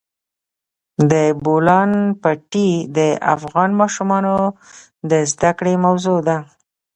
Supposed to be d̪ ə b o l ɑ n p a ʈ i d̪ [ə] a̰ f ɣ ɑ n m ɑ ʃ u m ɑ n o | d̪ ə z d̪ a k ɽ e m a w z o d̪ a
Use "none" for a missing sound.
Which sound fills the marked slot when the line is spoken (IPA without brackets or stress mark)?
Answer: ə